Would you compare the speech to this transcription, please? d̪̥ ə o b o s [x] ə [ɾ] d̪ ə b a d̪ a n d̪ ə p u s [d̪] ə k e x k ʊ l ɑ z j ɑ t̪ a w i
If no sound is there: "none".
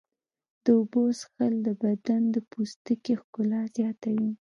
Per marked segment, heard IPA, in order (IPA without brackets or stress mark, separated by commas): x, l, t̪